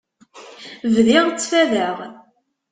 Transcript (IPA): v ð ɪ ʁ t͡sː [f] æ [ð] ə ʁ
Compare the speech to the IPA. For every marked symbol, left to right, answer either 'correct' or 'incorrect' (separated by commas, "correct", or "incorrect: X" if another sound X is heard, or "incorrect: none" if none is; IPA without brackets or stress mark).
correct, correct